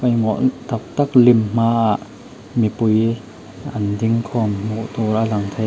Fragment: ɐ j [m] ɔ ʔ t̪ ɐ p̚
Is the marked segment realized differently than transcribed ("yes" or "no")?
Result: yes